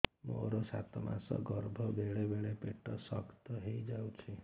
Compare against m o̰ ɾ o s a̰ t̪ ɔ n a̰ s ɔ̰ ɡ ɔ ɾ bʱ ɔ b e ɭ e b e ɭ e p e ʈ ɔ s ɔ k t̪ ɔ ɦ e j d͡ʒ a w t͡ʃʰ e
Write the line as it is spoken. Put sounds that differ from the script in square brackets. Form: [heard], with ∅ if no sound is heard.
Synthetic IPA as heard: m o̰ ɾ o s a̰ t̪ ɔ [m] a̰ s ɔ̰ ɡ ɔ ɾ bʱ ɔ b e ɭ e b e ɭ e p e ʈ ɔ s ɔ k t̪ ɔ ɦ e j d͡ʒ a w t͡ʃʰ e